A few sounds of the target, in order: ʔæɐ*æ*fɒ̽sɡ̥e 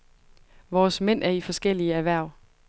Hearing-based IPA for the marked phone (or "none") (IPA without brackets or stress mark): i